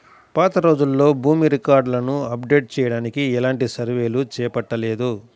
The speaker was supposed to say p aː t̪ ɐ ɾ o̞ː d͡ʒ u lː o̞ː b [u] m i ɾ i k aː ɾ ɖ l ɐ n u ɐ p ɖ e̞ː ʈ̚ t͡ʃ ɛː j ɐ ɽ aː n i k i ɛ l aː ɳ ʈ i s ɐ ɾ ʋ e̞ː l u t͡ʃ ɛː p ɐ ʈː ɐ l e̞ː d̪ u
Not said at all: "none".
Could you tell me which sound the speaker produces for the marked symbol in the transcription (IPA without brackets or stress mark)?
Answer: uː